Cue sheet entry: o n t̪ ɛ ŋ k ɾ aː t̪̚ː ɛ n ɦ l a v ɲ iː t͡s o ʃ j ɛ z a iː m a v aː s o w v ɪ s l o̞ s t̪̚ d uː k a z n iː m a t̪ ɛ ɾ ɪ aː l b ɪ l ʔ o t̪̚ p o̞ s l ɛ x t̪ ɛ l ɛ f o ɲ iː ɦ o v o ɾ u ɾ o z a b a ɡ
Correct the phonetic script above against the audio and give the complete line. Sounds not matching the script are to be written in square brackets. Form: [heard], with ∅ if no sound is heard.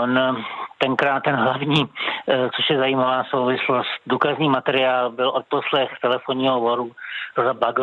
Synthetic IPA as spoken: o n t̪ ɛ ŋ k ɾ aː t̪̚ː ɛ n ɦ l a v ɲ iː t͡s o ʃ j ɛ z a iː m a v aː s o w v ɪ s l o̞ s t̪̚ d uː k a z [ɲ] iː m a t̪ ɛ ɾ ɪ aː l b ɪ l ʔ o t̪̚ p o̞ s l ɛ x t̪ ɛ l ɛ f o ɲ iː ɦ o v o ɾ u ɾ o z a b a ɡ